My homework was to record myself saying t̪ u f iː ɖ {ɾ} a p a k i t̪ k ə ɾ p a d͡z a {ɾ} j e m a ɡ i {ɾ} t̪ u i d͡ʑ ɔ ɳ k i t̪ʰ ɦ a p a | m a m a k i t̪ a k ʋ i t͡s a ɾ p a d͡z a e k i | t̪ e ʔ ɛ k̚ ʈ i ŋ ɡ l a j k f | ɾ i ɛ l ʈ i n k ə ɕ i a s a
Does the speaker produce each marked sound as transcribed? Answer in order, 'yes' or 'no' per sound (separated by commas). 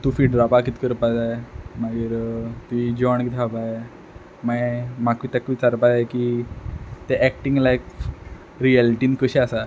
yes, no, yes